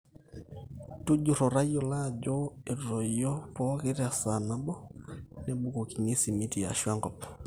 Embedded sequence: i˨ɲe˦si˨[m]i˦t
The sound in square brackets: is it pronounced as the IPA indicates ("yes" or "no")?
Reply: yes